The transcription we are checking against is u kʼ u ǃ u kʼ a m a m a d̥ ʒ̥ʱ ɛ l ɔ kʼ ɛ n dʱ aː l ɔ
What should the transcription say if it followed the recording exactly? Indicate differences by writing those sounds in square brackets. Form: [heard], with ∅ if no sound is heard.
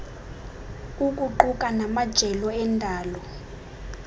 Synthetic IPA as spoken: u kʼ u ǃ u kʼ a [n] a m a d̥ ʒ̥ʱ ɛ l ɔ [∅] ɛ n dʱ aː l ɔ